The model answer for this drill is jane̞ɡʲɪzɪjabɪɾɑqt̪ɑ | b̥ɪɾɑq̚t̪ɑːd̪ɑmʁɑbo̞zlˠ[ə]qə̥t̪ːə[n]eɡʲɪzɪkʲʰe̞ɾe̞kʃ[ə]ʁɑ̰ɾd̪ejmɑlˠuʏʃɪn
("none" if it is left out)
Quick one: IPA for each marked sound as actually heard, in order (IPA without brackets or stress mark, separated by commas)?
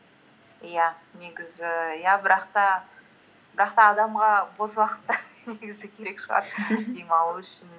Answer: ɑ, n, ə